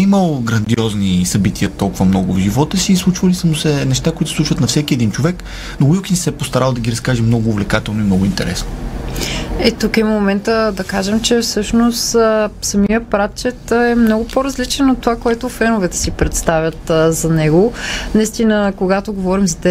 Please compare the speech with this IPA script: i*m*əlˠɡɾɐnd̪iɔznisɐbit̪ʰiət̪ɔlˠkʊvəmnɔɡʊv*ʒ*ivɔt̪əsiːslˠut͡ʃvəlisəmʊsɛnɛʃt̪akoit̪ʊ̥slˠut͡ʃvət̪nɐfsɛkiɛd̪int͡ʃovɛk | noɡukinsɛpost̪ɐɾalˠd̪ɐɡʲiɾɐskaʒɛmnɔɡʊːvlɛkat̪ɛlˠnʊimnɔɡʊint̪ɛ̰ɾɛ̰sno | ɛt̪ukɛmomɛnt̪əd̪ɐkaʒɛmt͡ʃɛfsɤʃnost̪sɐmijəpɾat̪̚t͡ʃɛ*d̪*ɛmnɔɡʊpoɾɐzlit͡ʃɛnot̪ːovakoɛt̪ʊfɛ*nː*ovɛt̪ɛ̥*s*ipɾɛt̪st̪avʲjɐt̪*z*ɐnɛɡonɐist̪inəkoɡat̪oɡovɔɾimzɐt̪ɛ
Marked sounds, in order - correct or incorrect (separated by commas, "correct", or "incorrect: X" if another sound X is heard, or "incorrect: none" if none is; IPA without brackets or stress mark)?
correct, correct, incorrect: t̪, incorrect: n, correct, correct